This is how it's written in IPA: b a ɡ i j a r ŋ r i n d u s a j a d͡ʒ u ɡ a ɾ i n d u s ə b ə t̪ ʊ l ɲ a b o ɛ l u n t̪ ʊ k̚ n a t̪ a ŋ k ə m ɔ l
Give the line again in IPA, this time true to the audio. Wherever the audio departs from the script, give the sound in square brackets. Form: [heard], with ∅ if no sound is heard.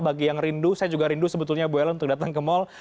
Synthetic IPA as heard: b a ɡ i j a [∅] ŋ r i n d u s a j a d͡ʒ u ɡ a ɾ i n d u s ə b ə t̪ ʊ l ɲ a b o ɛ l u n t̪ ʊ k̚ [d] a t̪ a ŋ k ə m ɔ l